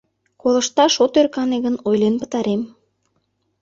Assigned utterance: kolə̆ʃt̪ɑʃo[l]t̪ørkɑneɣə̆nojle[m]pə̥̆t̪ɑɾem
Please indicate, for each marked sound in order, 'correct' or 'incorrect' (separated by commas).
incorrect, incorrect